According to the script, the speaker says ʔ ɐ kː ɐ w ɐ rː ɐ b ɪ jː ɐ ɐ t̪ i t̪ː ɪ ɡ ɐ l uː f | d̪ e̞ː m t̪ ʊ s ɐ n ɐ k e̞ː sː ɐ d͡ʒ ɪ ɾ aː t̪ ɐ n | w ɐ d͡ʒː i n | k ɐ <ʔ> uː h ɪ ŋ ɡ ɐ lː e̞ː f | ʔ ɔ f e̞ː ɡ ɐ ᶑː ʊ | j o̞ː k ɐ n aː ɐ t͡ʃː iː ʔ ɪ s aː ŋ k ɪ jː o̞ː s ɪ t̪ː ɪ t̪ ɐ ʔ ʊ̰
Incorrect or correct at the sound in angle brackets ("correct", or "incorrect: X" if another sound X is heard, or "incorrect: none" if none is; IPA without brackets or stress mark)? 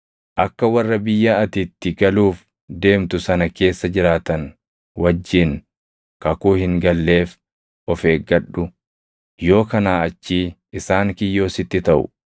incorrect: k